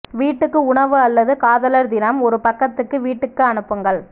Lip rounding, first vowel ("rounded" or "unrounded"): unrounded